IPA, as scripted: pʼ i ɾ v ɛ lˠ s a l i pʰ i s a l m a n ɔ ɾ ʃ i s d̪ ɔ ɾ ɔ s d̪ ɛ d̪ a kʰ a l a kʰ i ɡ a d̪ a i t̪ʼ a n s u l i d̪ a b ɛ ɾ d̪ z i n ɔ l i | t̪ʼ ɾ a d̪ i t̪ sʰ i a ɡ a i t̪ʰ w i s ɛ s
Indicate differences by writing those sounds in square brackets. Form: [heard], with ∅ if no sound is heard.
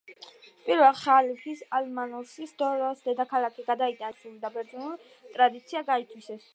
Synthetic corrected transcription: pʼ i ɾ v ɛ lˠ [χ] a l i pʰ i s a l m a n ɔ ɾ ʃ i s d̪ ɔ ɾ ɔ s d̪ ɛ d̪ a kʰ a l a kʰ i ɡ a d̪ a i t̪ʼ a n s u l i d̪ a b ɛ ɾ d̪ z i n [u] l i | t̪ʼ ɾ a d̪ i t̪ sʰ i a ɡ a i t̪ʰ w i s ɛ s

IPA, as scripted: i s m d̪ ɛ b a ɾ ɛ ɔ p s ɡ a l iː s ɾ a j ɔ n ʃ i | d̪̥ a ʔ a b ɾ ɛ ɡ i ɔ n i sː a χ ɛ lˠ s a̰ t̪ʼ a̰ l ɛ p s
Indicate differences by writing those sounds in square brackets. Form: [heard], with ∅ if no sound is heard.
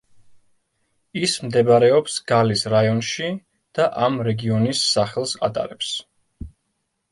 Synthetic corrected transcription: i s m d̪ ɛ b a ɾ ɛ ɔ p s ɡ a l [i] s ɾ a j ɔ n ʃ i | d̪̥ a ʔ a [m] ɾ ɛ ɡ i ɔ n i sː a χ ɛ lˠ s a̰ t̪ʼ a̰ [ɾ] ɛ p s

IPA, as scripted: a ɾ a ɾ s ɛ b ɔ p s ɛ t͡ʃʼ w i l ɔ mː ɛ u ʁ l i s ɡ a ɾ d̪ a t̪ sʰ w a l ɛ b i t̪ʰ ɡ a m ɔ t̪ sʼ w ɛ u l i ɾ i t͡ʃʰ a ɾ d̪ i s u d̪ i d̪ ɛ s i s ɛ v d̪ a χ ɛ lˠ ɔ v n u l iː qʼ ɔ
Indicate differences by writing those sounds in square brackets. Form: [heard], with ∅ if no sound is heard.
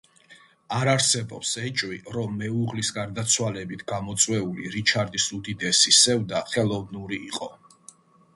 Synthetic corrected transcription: a ɾ a ɾ s ɛ b ɔ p s ɛ t͡ʃʼ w i [ɾ] ɔ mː ɛ u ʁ l i s ɡ a ɾ d̪ a t̪ sʰ w a l ɛ b i t̪ʰ ɡ a m ɔ t̪ sʼ w ɛ u l i ɾ i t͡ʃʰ a ɾ d̪ i s u d̪ i d̪ ɛ s i s ɛ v d̪ a χ ɛ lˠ ɔ v n u [ɾ] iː qʼ ɔ

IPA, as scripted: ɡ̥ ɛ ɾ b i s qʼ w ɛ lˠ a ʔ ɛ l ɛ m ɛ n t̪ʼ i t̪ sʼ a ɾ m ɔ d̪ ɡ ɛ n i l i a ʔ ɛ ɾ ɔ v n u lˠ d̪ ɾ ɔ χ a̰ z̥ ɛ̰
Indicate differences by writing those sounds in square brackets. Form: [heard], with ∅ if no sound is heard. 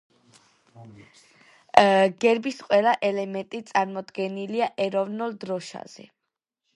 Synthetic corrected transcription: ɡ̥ ɛ ɾ b i s qʼ w ɛ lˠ a ʔ ɛ l ɛ m ɛ n t̪ʼ i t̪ sʼ a ɾ m ɔ d̪ ɡ ɛ n i l i a ʔ ɛ ɾ ɔ v n u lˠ d̪ ɾ ɔ [ʃ] a̰ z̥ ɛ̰

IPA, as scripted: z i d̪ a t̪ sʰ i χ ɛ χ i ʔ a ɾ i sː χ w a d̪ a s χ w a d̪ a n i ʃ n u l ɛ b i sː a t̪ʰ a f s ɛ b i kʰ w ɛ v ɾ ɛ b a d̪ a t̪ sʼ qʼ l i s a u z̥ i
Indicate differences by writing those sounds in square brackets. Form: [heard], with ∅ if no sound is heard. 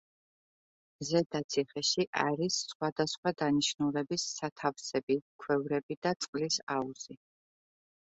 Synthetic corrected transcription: z [ɛ] d̪ a t̪ sʰ i χ ɛ [ʃ] i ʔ a ɾ i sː χ w a d̪ a s χ w a d̪ a n i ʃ n u l ɛ b i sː a t̪ʰ a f s ɛ b i kʰ w ɛ v ɾ ɛ b [i] d̪ a t̪ sʼ qʼ l i s a u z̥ i

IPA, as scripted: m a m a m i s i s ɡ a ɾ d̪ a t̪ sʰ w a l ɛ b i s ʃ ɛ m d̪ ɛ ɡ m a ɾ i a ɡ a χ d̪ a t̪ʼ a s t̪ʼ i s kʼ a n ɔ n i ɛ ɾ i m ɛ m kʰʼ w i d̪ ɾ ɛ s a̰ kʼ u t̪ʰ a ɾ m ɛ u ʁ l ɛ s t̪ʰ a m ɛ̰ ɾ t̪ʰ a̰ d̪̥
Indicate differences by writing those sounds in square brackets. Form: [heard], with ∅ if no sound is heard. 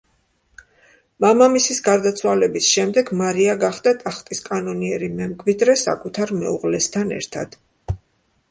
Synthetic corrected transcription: m a m a m i s i s ɡ a ɾ d̪ a t̪ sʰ w a l ɛ b i s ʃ ɛ m d̪ ɛ ɡ m a ɾ i a ɡ a χ d̪ a t̪ʼ a [χ] t̪ʼ i s kʼ a n ɔ n i ɛ ɾ i m ɛ m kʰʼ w i d̪ ɾ ɛ s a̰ kʼ u t̪ʰ a ɾ m ɛ u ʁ l ɛ s t̪ʰ a [n] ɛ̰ ɾ t̪ʰ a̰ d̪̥

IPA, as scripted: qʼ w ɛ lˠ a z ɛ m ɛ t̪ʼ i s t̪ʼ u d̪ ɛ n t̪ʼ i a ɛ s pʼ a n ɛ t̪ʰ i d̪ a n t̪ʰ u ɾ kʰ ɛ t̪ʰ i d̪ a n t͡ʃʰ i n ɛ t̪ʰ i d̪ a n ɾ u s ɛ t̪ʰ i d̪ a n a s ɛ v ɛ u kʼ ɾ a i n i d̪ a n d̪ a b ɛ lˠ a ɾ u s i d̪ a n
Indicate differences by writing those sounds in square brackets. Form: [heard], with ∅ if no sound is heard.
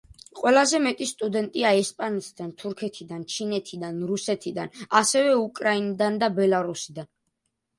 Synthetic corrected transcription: qʼ w ɛ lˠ a z ɛ m ɛ t̪ʼ i s t̪ʼ u d̪ ɛ n t̪ʼ i a ɛ s pʼ a n ɛ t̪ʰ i d̪ a n t̪ʰ u ɾ kʰ ɛ t̪ʰ i d̪ a n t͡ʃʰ i n ɛ t̪ʰ i d̪ a n ɾ u s ɛ t̪ʰ i d̪ a n a s ɛ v ɛ u kʼ ɾ a i n i d̪ a n d̪ a b ɛ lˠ a ɾ u s i d̪ a n

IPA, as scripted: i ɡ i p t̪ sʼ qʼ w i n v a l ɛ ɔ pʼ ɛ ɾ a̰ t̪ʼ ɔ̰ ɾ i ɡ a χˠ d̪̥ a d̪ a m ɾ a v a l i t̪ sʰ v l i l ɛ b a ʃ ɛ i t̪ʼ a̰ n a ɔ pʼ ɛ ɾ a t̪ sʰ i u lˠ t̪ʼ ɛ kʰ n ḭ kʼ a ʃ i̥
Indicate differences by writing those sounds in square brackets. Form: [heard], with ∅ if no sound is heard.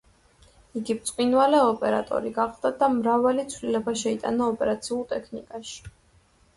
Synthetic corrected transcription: i ɡ i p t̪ sʼ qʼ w i n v a l ɛ ɔ pʼ ɛ ɾ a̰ t̪ʼ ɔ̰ ɾ i ɡ a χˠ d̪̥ a d̪ a m ɾ a v a l i t̪ sʰ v l i l ɛ b a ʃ ɛ i t̪ʼ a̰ n a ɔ pʼ ɛ ɾ a t̪ sʰ i u lˠ t̪ʼ ɛ kʰ n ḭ kʼ a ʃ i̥

